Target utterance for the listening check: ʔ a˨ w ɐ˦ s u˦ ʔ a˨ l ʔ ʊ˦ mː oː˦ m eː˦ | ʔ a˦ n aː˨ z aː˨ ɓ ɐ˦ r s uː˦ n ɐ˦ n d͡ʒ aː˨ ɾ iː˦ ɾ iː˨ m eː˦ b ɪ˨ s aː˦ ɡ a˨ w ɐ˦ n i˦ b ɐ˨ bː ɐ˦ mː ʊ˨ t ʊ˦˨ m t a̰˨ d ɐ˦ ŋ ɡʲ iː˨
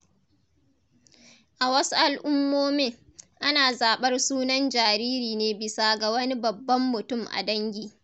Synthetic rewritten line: ʔ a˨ w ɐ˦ s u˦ ʔ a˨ l ʔ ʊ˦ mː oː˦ m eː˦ | ʔ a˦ n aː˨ z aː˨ ɓ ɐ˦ r s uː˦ n ɐ˦ n d͡ʒ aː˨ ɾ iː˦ ɾ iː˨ n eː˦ b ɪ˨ s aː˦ ɡ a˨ w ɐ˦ n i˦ b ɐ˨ bː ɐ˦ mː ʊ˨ t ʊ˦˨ m ʔ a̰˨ d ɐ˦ ŋ ɡʲ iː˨